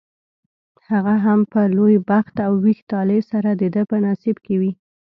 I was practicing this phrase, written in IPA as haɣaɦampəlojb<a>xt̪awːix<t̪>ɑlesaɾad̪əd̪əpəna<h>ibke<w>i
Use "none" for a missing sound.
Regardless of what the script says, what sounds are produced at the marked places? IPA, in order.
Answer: a, t̪, s, w

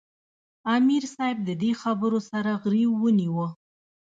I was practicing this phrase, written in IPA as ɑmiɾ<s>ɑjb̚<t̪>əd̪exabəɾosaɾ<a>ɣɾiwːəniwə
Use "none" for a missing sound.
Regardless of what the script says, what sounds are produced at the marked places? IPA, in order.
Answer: s, d̪, a

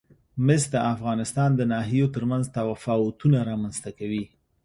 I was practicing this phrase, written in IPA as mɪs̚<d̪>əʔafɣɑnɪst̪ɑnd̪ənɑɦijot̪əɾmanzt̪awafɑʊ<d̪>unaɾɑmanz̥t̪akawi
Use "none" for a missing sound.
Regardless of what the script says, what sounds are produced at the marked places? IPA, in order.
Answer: d̪, t̪

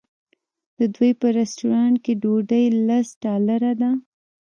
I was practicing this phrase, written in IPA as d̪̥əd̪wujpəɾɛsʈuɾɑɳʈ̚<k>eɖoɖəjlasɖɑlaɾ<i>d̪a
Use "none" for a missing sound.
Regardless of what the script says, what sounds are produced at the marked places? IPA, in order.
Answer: k, a

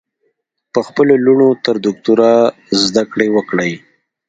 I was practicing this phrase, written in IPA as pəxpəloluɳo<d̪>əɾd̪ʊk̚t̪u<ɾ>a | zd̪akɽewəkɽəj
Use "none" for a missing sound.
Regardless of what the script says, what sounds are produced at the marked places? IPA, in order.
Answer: t̪, ɾ

